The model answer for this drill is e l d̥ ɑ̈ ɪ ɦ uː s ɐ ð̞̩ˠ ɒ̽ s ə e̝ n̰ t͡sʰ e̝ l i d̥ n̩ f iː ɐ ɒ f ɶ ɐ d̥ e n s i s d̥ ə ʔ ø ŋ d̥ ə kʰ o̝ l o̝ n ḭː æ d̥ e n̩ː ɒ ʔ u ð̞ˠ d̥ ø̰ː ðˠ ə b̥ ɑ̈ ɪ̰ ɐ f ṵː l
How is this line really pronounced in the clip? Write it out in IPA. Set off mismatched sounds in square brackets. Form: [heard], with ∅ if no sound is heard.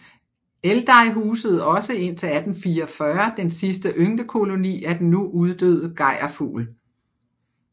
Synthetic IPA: e l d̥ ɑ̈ ɪ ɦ uː s [ə] ð̞̩ˠ ɒ̽ s ə e̝ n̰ t͡sʰ e̝ l [æ] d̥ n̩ f iː ɐ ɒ f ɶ ɐ d̥ e n s i s d̥ ə ʔ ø ŋ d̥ ə kʰ o̝ l o̝ n ḭː æ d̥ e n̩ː [u] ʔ u ð̞ˠ d̥ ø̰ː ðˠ ə [ɡ̥] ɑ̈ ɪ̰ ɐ f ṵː l